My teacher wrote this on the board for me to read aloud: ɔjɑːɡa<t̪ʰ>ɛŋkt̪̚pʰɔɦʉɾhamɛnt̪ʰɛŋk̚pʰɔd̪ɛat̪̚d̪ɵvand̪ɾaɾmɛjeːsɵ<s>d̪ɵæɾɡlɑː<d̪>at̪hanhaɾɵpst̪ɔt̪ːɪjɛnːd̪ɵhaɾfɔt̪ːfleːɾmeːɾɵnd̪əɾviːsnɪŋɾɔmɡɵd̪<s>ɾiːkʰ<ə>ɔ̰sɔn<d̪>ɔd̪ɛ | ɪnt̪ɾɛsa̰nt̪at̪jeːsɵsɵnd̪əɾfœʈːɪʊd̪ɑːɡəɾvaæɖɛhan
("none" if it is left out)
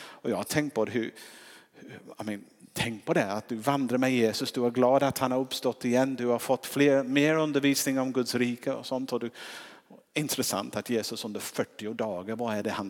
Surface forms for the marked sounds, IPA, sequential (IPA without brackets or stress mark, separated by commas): t̪ʰ, s, d̪, s, ə, t̪